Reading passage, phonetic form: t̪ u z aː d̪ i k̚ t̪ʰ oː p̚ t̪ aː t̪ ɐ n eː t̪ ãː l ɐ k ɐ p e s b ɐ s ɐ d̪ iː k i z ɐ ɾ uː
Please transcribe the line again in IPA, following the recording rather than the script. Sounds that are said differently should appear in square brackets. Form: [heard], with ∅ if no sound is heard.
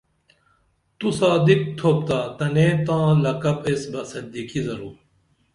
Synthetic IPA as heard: t̪ u [s] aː d̪ i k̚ t̪ʰ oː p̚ t̪ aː t̪ ɐ n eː t̪ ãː l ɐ k ɐ p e s b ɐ s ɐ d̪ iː k i z ɐ ɾ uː